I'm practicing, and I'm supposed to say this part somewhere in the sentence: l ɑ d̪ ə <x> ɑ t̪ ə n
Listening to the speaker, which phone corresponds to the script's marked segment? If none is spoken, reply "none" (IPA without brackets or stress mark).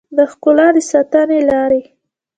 s